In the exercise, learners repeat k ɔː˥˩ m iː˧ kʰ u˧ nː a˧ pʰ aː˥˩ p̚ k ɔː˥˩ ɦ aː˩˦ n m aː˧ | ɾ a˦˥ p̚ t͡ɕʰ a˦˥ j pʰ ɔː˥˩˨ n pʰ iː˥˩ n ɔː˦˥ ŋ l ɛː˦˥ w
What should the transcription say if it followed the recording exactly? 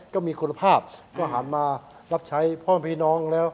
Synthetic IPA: k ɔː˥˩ m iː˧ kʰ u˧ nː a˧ pʰ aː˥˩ p̚ k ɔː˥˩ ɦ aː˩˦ n m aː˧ | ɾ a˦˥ p̚ t͡ɕʰ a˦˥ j pʰ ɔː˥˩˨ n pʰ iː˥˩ n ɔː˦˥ ŋ l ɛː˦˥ w